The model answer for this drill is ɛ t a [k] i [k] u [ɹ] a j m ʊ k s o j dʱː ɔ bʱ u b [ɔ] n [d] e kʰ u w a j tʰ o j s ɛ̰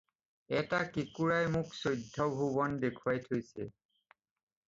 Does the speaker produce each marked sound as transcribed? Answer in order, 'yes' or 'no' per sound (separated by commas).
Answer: yes, yes, yes, yes, yes